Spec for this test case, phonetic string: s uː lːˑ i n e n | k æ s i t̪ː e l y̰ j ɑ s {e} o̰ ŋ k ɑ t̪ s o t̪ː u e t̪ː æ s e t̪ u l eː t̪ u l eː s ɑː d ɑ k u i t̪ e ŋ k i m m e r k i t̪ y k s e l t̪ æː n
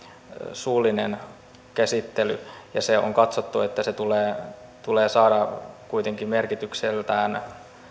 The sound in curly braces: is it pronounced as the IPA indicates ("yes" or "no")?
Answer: yes